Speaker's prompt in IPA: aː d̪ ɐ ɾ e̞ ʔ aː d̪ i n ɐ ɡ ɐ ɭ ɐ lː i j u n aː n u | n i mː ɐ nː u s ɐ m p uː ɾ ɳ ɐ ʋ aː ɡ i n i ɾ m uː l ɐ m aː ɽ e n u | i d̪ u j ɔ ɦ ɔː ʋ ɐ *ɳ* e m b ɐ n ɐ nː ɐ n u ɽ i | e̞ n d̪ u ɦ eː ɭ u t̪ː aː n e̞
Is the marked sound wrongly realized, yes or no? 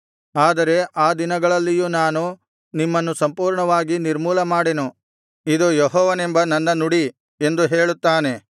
yes